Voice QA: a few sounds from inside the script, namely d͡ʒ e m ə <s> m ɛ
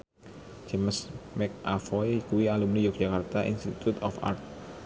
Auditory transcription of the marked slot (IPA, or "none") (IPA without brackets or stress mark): s